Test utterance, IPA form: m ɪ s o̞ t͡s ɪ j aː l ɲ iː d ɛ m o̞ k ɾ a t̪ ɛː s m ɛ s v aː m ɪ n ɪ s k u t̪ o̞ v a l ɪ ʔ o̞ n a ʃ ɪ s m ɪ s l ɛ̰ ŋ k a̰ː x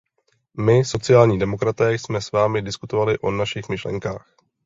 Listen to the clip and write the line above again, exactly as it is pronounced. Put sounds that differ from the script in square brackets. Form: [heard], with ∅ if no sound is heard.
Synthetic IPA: m ɪ s o̞ t͡s ɪ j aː l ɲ iː d ɛ m o̞ k ɾ a t̪ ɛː s m ɛ s v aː m ɪ [d] ɪ s k u t̪ o̞ v a l ɪ ʔ o̞ n a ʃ ɪ [x] m ɪ [ʃ] l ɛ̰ ŋ k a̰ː x